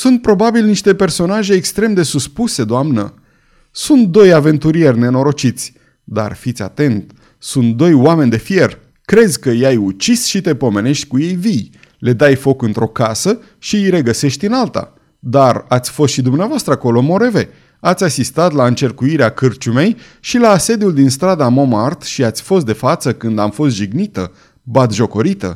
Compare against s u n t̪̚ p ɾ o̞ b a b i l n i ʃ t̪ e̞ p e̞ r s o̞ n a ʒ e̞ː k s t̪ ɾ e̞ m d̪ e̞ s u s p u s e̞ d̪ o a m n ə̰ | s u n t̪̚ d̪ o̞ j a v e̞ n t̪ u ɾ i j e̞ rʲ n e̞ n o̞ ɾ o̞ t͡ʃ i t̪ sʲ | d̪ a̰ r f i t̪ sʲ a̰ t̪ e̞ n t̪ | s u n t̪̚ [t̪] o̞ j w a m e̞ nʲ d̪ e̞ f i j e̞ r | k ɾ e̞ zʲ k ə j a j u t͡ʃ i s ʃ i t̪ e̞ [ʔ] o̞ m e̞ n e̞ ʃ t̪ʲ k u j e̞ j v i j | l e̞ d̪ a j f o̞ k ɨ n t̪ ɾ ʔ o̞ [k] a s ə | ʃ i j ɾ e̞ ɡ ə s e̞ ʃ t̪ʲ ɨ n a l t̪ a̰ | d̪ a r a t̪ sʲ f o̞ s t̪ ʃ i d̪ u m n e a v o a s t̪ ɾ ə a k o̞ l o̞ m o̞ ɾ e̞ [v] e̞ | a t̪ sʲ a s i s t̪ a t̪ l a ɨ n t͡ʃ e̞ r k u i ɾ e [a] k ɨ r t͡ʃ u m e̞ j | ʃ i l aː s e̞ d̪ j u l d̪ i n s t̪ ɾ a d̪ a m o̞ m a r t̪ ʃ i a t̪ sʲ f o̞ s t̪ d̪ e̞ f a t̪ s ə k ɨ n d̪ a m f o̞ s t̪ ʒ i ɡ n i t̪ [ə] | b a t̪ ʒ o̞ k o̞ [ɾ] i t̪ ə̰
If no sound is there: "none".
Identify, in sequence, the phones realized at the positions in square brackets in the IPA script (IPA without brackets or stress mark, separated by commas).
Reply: d̪, p, k, v, a, ə, ɾ